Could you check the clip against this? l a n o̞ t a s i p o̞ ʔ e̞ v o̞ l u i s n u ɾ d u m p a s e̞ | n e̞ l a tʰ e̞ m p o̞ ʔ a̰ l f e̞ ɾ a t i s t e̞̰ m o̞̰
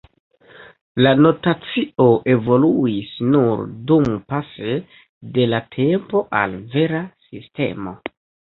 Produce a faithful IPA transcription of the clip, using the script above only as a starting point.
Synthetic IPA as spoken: l a n o̞ t a t͡s i o̞ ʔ e̞ v o̞ l u i s n u ɾ d u m p a s e̞ | d e̞ l a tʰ e̞ m p o̞ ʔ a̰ l v e̞ ɾ a s i s t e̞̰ m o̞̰